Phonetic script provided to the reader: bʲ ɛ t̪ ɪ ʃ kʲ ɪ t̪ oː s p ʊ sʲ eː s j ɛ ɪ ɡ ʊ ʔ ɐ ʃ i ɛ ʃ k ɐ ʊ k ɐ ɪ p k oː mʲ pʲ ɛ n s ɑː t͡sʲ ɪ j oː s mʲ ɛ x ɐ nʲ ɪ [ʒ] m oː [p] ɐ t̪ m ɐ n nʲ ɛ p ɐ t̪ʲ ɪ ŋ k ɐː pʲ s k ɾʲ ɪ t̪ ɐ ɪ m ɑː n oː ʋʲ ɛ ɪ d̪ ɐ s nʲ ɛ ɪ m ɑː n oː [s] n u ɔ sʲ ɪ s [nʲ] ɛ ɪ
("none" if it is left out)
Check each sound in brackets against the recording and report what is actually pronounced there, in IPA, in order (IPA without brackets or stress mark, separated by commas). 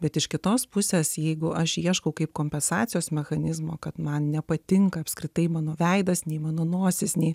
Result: z, k, none, nʲ